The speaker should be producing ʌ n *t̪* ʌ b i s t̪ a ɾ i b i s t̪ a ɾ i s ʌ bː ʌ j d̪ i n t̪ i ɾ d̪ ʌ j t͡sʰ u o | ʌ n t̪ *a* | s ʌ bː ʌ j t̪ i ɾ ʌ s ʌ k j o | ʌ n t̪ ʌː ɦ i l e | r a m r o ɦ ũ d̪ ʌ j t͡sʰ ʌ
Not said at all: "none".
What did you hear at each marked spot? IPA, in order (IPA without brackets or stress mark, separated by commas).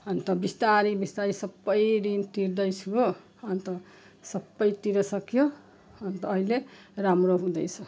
t̪, ʌ